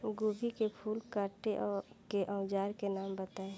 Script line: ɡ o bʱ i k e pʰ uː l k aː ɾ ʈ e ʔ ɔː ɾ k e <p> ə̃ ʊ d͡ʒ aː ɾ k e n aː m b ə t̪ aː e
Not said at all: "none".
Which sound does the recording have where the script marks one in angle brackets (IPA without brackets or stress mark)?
ʔ